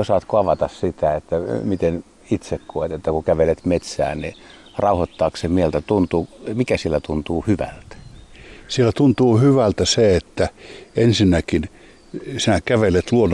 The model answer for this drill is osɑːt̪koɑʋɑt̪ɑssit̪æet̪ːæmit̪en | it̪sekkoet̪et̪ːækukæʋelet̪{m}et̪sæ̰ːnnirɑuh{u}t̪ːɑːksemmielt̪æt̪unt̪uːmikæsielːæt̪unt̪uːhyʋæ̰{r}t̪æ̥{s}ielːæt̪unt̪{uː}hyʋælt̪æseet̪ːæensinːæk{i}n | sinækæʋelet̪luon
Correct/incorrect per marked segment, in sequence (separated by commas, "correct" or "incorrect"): correct, incorrect, incorrect, correct, correct, correct